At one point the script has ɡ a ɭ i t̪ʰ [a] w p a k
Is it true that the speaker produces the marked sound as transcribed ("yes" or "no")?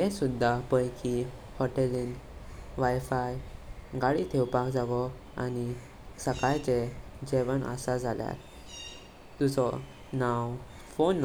no